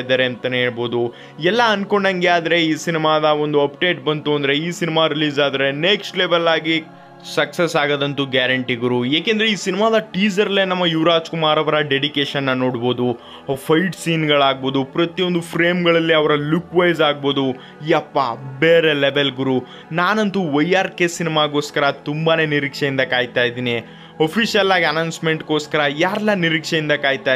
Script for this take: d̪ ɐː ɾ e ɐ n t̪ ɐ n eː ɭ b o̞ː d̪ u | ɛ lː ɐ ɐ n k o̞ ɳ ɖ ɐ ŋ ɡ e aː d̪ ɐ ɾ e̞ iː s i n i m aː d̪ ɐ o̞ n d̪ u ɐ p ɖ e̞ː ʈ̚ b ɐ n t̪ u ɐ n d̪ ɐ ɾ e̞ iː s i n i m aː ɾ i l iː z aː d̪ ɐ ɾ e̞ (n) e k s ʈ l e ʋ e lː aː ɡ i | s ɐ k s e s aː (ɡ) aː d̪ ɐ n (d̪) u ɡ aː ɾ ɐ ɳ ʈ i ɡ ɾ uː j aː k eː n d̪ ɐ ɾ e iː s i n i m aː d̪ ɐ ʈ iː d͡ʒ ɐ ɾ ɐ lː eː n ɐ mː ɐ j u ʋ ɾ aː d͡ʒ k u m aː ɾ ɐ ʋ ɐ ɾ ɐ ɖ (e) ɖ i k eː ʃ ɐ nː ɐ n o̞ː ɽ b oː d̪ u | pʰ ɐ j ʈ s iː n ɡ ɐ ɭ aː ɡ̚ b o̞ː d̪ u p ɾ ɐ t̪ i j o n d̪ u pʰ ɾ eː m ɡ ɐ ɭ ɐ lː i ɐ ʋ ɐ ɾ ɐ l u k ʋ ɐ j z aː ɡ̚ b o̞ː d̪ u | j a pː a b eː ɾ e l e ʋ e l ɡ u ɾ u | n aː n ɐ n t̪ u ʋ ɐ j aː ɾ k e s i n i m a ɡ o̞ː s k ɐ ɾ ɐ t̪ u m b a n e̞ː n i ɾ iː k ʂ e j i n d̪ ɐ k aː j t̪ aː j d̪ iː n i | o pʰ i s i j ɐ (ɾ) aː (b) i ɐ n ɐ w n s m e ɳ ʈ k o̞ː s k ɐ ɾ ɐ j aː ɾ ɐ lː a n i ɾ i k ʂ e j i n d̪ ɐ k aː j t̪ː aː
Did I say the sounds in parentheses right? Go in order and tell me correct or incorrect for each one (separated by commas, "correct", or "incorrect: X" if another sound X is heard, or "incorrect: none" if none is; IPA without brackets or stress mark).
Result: correct, correct, incorrect: t̪, correct, incorrect: l, incorrect: ɡ